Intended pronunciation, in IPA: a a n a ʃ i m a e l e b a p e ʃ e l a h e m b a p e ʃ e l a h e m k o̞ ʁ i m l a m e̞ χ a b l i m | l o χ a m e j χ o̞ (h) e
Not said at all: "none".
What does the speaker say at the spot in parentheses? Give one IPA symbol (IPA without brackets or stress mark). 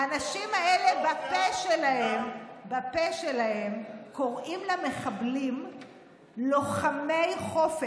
f